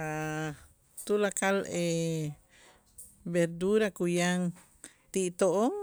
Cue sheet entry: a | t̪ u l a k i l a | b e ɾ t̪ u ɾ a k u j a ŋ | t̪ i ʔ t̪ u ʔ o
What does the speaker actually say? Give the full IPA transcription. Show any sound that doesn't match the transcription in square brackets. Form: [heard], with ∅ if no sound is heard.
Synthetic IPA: a | t̪ u l a k [a] l [e] | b e ɾ [d̪] u ɾ a k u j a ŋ | t̪ i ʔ t̪ [o] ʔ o